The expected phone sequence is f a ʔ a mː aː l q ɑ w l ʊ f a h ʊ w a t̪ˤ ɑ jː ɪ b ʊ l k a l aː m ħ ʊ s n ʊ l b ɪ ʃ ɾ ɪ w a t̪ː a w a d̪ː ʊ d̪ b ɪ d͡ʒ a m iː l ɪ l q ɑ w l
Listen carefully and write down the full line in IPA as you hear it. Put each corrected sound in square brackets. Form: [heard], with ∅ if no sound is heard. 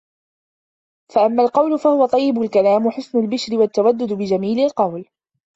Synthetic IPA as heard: f a ʔ a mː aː l q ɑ w l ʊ f a h ʊ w a t̪ˤ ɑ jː ɪ b ʊ l k a l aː m ħ ʊ s n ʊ l b ɪ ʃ ɾ ɪ w a t̪ː a w a d̪ː ʊ d̪ b ɪ d͡ʒ a m iː l ɪ l q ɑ w l

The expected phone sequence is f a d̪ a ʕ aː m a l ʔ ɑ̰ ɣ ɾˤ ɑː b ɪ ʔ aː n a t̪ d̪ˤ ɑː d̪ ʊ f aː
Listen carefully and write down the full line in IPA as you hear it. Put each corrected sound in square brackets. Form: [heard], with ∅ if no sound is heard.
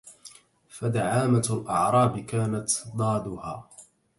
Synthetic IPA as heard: f a d̪ a ʕ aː m a l ʔ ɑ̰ [ʕ] ɾˤ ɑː b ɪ [k] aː n a t̪ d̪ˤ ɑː d̪ ʊ [h] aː

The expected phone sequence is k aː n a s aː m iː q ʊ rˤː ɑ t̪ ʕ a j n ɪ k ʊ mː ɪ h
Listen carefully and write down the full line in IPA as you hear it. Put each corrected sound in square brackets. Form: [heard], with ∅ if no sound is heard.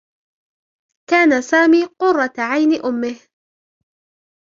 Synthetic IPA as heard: k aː n a s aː m iː q ʊ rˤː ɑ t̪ ʕ a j n ɪ [ʔ] ʊ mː ɪ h

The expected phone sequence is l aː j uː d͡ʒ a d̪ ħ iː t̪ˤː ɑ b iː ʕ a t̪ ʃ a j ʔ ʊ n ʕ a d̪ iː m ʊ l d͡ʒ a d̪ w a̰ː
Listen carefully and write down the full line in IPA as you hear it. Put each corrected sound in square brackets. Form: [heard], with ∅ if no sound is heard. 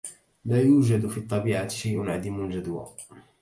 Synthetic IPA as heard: l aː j uː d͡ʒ a d̪ [f] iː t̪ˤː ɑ b iː ʕ a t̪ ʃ a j ʔ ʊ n ʕ a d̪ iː m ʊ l d͡ʒ a d̪ w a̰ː

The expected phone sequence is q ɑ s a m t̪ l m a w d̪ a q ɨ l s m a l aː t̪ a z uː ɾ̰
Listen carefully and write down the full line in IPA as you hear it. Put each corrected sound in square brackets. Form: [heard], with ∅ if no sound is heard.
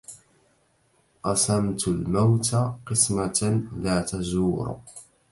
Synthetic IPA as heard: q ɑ s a m t̪ l m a w [t̪] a q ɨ [∅] s m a l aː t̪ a z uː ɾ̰

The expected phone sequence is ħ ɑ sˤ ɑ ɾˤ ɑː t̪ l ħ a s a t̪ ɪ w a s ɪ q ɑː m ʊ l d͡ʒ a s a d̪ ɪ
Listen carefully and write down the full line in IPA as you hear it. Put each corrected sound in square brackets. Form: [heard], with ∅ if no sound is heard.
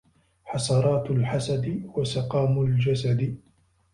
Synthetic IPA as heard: ħ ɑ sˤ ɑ ɾˤ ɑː t̪ l ħ a s a [d̪] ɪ w a s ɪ q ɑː m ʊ l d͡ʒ a s a d̪ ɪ

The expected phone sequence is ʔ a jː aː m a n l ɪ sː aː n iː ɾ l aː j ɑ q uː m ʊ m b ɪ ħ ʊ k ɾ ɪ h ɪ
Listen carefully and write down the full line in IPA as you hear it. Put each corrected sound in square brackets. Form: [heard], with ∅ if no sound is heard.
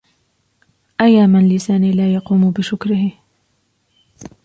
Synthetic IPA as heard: ʔ a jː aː m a n l ɪ [s] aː n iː [∅] l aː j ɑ q uː m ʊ [∅] b ɪ [ʃ] ʊ k ɾ ɪ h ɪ

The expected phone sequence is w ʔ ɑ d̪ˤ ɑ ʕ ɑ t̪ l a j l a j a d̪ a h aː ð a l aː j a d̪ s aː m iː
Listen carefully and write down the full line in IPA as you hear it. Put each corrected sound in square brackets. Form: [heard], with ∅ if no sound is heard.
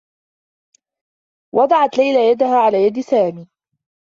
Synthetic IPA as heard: w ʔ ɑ d̪ˤ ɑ ʕ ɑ t̪ l a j l a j a d̪ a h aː [ʕ] a l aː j a d̪ s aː m iː

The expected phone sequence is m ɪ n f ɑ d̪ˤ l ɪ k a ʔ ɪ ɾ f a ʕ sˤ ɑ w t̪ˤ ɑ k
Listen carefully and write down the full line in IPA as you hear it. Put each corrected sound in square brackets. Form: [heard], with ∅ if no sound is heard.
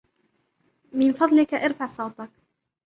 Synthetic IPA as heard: m ɪ n f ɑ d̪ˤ l ɪ k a ʔ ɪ ɾ f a ʕ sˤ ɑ w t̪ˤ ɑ k

